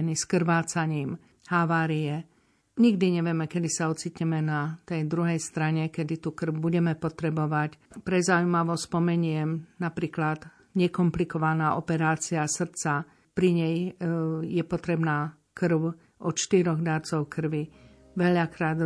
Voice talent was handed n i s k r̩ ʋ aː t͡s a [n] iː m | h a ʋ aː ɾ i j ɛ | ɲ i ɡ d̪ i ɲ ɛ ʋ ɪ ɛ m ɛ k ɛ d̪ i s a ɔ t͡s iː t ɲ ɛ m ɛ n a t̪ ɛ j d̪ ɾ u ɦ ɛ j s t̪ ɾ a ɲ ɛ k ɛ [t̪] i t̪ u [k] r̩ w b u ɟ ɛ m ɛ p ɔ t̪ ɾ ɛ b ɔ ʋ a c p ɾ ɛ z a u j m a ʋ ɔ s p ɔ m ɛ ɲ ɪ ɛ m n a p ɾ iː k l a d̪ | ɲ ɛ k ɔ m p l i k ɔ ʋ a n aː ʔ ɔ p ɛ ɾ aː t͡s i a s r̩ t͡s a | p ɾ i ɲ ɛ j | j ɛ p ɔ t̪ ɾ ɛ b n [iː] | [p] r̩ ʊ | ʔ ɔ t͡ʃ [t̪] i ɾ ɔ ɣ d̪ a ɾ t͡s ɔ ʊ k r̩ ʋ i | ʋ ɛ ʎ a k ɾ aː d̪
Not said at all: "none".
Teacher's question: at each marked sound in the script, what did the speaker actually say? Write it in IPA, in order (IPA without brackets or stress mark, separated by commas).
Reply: ɲ, d̪, k, aː, k, t̪